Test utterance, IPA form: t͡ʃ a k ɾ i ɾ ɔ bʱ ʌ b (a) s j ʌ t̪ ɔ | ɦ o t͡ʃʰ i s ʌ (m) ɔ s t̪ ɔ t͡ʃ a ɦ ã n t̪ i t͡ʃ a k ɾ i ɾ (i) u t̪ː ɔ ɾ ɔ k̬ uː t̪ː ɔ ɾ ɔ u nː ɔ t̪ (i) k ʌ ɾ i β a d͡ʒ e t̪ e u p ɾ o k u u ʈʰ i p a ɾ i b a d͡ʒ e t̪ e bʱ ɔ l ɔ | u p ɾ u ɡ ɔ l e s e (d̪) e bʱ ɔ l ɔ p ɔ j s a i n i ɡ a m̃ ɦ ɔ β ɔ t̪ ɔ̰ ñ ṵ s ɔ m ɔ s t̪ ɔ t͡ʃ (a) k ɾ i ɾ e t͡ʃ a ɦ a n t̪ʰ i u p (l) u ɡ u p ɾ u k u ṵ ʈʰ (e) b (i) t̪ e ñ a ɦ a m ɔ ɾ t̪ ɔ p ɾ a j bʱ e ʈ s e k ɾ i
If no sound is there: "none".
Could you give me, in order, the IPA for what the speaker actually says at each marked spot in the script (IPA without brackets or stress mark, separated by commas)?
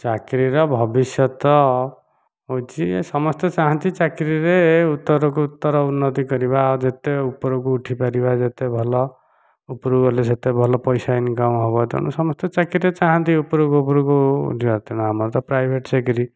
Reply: i, m, e, i, t̪, a, ɾ, i, a